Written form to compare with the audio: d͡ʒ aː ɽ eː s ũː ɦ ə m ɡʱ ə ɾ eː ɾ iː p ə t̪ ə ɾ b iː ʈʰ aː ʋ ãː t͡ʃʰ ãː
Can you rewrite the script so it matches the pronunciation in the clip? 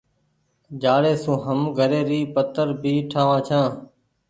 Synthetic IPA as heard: d͡ʒ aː ɽ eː s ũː ɦ ə m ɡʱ ə ɾ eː ɾ iː p ə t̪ ə ɾ b iː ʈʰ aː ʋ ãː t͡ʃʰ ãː